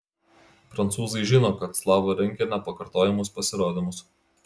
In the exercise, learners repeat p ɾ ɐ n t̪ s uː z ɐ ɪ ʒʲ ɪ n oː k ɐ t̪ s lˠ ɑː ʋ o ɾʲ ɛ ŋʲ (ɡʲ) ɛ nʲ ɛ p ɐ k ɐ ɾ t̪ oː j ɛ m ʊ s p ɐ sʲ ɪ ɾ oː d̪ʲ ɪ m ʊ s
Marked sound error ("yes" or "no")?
yes